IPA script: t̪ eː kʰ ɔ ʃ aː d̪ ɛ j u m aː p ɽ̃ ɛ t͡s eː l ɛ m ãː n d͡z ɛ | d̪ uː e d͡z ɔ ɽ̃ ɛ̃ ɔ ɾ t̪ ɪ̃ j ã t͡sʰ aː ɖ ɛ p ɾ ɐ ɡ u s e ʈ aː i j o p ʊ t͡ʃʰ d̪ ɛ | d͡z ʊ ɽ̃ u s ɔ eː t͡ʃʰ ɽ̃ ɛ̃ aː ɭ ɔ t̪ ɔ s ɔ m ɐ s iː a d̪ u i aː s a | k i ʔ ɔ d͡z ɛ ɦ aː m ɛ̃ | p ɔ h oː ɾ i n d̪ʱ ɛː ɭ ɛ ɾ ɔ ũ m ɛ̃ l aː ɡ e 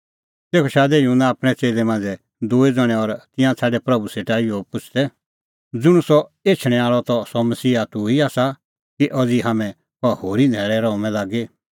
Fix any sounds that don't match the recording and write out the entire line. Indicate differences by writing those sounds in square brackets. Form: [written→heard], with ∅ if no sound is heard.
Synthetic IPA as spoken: t̪ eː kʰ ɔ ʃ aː d̪ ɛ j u [m→n] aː p ɽ̃ ɛ t͡s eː l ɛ m ãː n d͡z ɛ | d̪ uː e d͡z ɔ ɽ̃ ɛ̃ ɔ ɾ t̪ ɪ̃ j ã t͡sʰ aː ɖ ɛ p ɾ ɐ [ɡ→b] u s e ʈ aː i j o p ʊ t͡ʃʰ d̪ ɛ | d͡z ʊ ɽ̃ u s ɔ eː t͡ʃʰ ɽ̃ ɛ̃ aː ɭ ɔ t̪ ɔ s ɔ m ɐ s iː a [d̪→t̪] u i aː s a | k i ʔ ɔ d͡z [ɛ→i] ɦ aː m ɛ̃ | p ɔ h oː ɾ i n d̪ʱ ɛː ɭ ɛ ɾ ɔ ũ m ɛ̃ l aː ɡ e